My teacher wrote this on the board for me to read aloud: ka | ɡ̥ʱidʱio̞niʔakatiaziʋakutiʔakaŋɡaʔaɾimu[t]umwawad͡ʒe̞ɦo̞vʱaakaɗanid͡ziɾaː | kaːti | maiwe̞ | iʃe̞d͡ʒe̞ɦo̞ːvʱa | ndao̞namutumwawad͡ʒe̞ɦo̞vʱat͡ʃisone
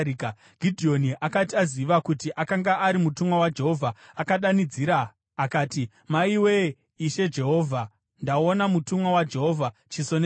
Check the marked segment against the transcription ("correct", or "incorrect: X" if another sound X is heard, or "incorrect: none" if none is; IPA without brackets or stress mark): correct